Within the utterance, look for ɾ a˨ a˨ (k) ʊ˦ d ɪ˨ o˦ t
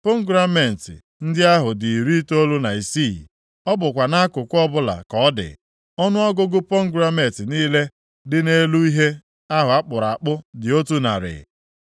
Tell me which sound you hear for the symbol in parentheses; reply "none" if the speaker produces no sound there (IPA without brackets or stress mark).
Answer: k͡p